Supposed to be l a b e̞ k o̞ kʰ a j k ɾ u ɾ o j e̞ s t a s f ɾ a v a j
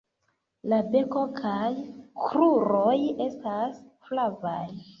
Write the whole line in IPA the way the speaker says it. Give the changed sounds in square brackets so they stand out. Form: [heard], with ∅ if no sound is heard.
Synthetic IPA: l a b e̞ k o̞ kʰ a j k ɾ u ɾ o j e̞ s t a s f [l] a v a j